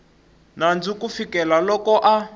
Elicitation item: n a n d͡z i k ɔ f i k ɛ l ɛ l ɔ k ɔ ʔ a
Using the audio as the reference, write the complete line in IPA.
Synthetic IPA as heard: n a n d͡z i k u f i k ɛ l a l ɔ k ɔ ʔ a